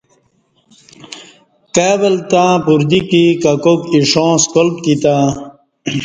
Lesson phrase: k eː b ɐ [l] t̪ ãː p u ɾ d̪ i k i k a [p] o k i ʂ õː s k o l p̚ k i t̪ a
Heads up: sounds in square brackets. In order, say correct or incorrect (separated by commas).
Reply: correct, incorrect